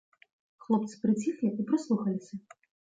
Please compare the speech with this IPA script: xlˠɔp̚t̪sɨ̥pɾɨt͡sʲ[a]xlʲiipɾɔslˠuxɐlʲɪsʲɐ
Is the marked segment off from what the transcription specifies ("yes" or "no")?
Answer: yes